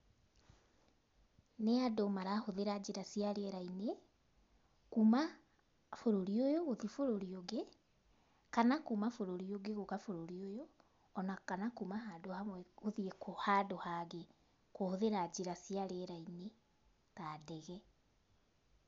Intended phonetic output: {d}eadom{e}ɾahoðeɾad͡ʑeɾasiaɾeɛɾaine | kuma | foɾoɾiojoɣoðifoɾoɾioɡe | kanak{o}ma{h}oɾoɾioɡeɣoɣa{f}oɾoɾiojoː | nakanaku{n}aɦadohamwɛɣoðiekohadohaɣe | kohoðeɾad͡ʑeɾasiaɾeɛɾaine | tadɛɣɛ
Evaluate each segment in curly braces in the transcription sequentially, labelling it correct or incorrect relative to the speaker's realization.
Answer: incorrect: n, incorrect: a, incorrect: u, incorrect: f, correct, incorrect: m

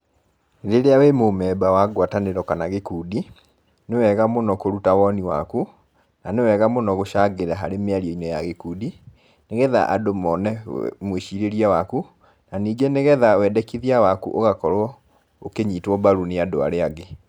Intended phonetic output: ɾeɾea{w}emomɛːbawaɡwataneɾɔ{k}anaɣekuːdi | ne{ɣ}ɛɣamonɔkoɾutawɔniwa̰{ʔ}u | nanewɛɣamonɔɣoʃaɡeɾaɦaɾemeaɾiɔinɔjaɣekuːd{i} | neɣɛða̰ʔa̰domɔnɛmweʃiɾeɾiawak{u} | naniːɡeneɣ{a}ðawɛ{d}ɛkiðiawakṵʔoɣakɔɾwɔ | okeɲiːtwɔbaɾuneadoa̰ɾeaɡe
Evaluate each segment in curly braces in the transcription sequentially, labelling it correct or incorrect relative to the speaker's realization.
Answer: correct, correct, incorrect: w, incorrect: k, correct, correct, incorrect: ɛ, correct

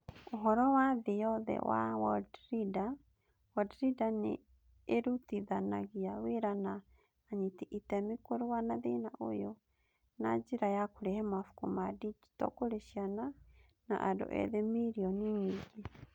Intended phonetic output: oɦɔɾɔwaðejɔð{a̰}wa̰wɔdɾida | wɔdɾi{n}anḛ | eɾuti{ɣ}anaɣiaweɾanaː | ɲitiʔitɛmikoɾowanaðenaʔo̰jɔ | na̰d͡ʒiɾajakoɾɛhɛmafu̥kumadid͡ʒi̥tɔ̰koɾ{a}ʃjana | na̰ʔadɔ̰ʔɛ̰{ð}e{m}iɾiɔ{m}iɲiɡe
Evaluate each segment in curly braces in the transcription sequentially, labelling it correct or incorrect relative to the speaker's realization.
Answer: incorrect: ɛ̰, incorrect: d, incorrect: ð, incorrect: e, correct, correct, incorrect: n

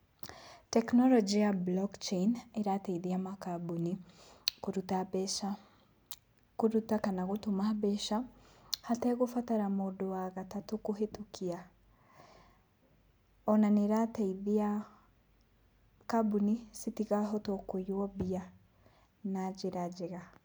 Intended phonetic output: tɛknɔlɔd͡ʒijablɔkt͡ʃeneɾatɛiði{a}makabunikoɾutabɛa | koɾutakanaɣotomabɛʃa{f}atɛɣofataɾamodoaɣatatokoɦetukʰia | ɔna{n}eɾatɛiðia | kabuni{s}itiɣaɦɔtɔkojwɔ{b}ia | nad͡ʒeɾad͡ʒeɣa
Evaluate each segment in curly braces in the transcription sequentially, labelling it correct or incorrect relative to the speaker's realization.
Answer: correct, incorrect: h, correct, correct, correct

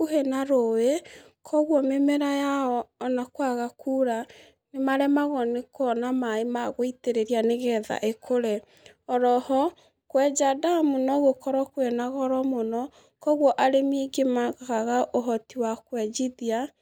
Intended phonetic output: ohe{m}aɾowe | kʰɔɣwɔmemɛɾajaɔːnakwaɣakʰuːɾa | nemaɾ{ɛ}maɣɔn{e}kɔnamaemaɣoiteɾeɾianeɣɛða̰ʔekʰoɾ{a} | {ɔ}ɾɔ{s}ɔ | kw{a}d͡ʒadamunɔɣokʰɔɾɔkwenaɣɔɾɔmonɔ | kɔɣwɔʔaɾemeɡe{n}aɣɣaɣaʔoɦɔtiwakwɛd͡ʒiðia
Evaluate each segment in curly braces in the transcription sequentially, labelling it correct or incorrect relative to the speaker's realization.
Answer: incorrect: n, correct, correct, incorrect: ɛ, correct, incorrect: h, incorrect: ɛ, incorrect: m

